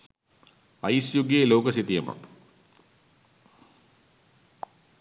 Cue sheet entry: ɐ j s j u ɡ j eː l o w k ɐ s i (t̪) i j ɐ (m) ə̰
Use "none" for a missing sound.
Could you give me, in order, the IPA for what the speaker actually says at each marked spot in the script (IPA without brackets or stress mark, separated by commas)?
t̪, m